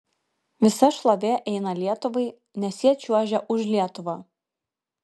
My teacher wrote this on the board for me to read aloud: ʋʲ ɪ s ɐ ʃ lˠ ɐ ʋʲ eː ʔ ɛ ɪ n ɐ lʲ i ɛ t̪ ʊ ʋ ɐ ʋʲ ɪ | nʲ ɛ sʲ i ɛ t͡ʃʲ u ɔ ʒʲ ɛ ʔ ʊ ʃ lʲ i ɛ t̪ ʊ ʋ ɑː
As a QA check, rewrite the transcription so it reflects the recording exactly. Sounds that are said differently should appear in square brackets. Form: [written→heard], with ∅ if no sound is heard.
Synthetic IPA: ʋʲ ɪ s ɐ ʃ lˠ ɐ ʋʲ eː ʔ ɛ ɪ n ɐ lʲ i ɛ t̪ ʊ ʋ ɐ [ʋʲ→∅] ɪ | nʲ ɛ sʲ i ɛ t͡ʃʲ u ɔ ʒʲ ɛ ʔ ʊ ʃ lʲ i ɛ t̪ ʊ ʋ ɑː